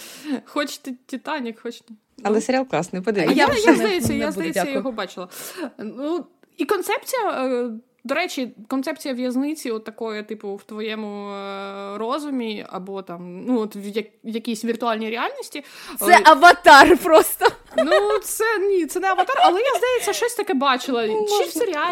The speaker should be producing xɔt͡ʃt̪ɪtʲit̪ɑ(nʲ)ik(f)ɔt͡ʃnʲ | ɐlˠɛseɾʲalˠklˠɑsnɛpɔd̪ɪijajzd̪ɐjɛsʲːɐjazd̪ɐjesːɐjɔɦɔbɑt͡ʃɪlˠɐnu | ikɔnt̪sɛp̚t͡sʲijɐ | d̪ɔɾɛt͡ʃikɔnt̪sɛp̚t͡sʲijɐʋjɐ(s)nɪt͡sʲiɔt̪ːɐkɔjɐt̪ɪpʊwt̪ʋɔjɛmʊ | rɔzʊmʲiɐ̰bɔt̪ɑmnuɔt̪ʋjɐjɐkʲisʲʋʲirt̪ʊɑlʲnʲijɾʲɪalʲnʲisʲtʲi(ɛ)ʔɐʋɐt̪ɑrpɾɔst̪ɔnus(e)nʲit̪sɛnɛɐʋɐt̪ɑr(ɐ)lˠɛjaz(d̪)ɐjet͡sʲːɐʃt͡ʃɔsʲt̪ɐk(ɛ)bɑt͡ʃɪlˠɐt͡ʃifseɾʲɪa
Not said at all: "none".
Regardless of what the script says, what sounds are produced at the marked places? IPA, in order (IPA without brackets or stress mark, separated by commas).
nʲ, x, z, ɛ, ɛ, ɐ, d̪, ɛ